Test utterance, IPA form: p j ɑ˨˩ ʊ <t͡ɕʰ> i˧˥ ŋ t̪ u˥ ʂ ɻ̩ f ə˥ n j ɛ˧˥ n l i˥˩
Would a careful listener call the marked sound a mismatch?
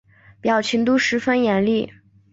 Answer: no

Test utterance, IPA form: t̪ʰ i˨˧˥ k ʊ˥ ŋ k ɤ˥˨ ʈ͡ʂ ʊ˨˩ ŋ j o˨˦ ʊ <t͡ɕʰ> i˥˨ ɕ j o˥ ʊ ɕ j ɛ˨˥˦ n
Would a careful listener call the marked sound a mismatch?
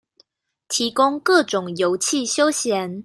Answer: no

